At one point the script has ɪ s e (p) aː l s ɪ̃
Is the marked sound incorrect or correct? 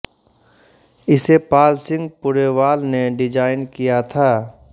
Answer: correct